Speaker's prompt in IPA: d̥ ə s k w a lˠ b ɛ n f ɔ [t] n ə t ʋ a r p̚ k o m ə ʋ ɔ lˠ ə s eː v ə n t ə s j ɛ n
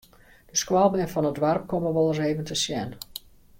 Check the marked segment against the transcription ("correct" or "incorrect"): incorrect